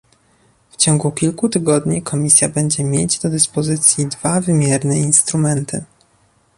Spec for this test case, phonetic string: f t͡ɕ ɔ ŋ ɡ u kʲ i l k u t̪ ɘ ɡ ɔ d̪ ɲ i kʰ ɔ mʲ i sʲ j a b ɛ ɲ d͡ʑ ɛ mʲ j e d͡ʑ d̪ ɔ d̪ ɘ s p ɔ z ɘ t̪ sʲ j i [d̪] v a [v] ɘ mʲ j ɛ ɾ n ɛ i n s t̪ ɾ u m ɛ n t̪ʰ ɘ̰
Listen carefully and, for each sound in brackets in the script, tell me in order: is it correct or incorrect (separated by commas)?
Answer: correct, correct